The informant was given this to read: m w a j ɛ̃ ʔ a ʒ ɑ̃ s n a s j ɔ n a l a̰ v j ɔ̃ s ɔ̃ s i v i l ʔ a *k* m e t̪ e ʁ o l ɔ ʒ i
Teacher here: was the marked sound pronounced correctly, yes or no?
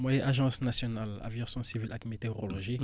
yes